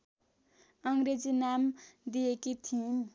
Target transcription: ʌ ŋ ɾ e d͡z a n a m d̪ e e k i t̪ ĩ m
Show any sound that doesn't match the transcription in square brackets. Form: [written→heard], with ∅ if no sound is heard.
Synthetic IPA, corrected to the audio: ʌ ŋ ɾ e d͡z [a→i] n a m d̪ [e→i] e k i [t̪→t̪ʰ] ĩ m

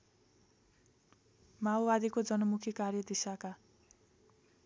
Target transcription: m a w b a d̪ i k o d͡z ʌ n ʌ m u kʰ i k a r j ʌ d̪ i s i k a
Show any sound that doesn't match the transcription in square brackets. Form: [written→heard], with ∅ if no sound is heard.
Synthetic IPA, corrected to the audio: m a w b a d̪ i k o d͡z ʌ n ʌ m u kʰ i k a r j ʌ d̪ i s [i→a] k a

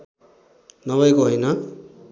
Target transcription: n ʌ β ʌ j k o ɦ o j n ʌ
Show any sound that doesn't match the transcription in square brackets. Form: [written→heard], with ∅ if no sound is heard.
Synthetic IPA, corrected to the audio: n ʌ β ʌ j k o ɦ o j n ʌ

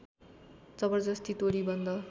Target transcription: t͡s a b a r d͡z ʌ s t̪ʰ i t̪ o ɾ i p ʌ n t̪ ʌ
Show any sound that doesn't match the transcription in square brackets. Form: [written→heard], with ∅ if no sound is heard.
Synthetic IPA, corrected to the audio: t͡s [a→ʌ] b [a→ʌ] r d͡z ʌ s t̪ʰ i t̪ o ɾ i [p→b] ʌ n [t̪→d̪] ʌ

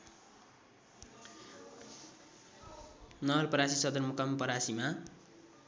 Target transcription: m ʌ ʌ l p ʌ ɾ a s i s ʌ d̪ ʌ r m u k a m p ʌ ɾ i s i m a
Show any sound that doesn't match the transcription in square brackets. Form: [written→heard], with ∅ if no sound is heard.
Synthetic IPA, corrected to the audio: [m→n] ʌ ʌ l p ʌ ɾ a s i s ʌ d̪ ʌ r m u k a m p ʌ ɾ [i→a] s i m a

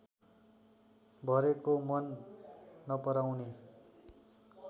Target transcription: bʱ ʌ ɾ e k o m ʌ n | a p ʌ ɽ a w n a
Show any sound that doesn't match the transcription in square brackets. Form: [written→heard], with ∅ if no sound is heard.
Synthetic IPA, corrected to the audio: bʱ ʌ ɾ e k o m ʌ [n→nː] | [a→ʌ] p ʌ [ɽ→ɾ] a w n [a→e]

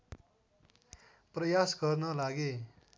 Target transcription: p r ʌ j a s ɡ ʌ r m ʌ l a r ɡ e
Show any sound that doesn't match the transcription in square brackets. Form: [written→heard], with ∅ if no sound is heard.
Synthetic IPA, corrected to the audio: p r ʌ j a s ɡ ʌ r [m→n] ʌ l a [r→∅] ɡ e

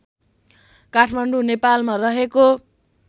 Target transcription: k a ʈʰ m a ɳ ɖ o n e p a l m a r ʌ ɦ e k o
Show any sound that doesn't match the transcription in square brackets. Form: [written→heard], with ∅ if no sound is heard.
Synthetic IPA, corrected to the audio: k a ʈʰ m a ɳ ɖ [o→u] n e p a l m a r ʌ ɦ e k o

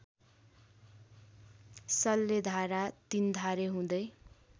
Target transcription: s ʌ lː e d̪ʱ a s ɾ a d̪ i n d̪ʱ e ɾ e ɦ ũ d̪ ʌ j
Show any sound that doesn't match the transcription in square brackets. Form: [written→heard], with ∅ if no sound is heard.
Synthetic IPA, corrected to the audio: s ʌ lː e d̪ʱ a [s→∅] ɾ a [d̪→t̪] i n d̪ʱ [e→a] ɾ e ɦ ũ d̪ ʌ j

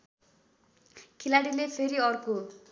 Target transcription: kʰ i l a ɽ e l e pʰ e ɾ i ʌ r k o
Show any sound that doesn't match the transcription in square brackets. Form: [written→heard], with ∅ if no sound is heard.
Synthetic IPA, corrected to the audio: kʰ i l a ɽ [e→i] l e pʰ e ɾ i ʌ r k o

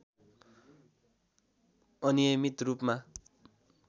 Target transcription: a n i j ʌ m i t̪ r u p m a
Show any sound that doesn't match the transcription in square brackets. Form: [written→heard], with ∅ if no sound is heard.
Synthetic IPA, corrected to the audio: [a→ʌ] n i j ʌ m i t̪ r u p m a

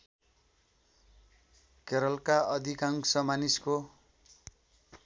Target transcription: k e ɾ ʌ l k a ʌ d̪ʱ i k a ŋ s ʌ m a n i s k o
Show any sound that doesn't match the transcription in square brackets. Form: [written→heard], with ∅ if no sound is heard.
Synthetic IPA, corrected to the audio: k e ɾ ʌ l k a ʌ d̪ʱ i k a ŋ s ʌ m a n i s k o

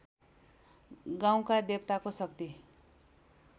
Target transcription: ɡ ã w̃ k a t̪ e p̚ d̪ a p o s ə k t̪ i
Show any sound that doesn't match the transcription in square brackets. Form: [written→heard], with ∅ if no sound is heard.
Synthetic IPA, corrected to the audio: ɡ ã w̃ k a [t̪→d̪] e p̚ [d̪→t̪] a [p→k] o s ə k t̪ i

